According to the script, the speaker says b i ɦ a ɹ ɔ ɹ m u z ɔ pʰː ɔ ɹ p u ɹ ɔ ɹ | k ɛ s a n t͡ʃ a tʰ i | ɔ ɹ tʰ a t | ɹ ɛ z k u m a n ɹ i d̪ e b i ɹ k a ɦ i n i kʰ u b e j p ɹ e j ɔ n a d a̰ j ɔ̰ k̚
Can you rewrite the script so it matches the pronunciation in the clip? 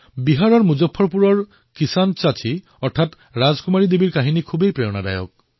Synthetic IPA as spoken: b i ɦ a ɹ ɔ ɹ m u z ɔ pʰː ɔ ɹ p u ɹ ɔ ɹ | k i s a n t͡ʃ a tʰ i | ɔ ɹ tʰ a t | ɹ a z k u m a ɹ i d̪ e b i ɹ k a ɦ i n i kʰ u b e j p ɹ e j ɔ n a d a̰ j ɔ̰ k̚